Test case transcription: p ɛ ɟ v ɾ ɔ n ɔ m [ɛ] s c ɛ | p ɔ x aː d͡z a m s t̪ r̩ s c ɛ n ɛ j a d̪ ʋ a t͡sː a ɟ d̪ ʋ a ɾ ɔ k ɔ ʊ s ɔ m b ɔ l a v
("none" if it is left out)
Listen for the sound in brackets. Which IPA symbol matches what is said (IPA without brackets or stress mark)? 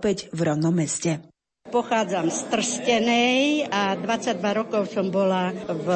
ɛ